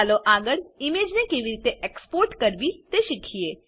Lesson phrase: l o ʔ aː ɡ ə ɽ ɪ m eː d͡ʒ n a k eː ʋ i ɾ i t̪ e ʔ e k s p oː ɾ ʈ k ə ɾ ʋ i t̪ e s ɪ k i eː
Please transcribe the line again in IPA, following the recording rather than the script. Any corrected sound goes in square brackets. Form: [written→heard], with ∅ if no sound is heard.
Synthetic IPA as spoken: l o ʔ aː ɡ ə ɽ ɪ m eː d͡ʒ n [a→e] k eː ʋ i ɾ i t̪ e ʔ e k s p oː ɾ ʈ k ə ɾ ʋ i t̪ e [s→ʃ] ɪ [k→kʰ] i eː

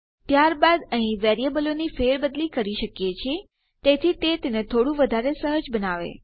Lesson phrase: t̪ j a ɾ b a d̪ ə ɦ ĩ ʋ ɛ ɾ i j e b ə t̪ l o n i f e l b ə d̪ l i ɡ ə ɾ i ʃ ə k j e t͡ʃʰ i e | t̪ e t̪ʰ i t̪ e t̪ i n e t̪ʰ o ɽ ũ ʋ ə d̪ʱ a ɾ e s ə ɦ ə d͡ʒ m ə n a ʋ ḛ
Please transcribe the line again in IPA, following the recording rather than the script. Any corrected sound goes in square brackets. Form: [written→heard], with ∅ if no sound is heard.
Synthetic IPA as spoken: t̪ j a ɾ b a d̪ ə ɦ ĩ ʋ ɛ ɾ i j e b ə [t̪→∅] l o n i f e [l→ɾ] b ə d̪ l i [ɡ→k] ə ɾ i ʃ ə k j e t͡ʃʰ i e | t̪ e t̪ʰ i t̪ e t̪ [i→e] n e t̪ʰ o ɽ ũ ʋ ə d̪ʱ a ɾ e s ə ɦ ə d͡ʒ [m→b] ə n a ʋ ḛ

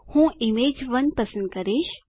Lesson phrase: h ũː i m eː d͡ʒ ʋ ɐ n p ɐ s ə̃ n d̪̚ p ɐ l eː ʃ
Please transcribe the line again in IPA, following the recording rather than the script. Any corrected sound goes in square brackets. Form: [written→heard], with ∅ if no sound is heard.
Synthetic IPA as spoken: h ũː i m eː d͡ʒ ʋ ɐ n p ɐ s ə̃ n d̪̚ [p→k] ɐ [l→ɾ] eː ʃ

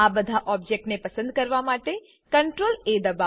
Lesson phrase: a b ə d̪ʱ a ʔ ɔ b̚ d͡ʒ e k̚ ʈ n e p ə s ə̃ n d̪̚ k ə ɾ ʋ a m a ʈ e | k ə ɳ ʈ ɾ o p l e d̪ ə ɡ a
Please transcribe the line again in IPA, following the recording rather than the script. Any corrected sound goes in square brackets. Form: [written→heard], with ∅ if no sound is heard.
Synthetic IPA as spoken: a b ə d̪ʱ a ʔ ɔ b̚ d͡ʒ e k̚ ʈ n e p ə s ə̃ n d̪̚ k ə ɾ ʋ a m a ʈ e | k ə ɳ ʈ ɾ o [p→∅] l e d̪ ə [ɡ→b] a

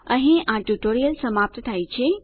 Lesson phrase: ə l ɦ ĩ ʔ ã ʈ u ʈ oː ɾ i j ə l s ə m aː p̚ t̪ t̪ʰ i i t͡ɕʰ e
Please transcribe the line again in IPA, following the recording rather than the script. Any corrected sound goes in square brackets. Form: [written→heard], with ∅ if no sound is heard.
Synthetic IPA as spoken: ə [l→∅] ɦ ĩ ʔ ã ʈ u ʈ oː ɾ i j ə l s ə m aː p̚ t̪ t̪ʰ [i→a] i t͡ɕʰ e

